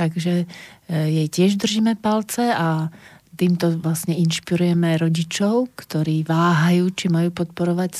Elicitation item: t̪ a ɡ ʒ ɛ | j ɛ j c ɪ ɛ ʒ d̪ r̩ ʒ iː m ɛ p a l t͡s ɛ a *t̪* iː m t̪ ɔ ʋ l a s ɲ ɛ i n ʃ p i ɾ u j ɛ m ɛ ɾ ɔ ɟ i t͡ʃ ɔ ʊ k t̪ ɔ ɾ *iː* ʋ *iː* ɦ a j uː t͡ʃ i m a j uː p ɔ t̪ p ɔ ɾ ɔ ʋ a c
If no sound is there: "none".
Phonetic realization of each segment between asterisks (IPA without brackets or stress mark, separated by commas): t̪, iː, aː